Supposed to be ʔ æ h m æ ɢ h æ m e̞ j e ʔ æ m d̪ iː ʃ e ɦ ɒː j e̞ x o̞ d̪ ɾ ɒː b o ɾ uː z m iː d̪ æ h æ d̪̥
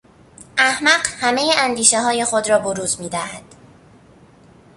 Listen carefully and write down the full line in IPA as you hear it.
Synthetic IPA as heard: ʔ æ h m æ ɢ h æ m e̞ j e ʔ æ n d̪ iː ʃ e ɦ ɒː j e̞ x o̞ d̪ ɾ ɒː b o ɾ uː z m iː d̪ æ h æ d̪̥